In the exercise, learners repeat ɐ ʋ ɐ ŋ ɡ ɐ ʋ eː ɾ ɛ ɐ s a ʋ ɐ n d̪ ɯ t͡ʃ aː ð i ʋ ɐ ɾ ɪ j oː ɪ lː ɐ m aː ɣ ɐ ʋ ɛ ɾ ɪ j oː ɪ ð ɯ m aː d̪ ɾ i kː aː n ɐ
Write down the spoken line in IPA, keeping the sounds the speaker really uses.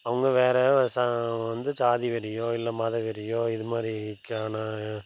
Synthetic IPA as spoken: ɐ ʋ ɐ ŋ ɡ ɐ ʋ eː ɾ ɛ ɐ s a ʋ ɐ n d̪ ɯ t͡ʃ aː ð i ʋ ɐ ɾ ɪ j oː ɪ lː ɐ m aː ð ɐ ʋ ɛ ɾ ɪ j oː ɪ ð ɯ m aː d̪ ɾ i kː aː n ɐ